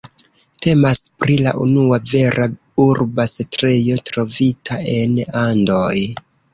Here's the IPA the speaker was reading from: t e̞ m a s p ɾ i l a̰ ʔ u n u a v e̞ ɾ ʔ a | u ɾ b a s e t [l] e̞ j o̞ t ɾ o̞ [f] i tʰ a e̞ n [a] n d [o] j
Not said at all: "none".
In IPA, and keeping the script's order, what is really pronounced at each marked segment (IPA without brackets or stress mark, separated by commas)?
ɾ, v, a, o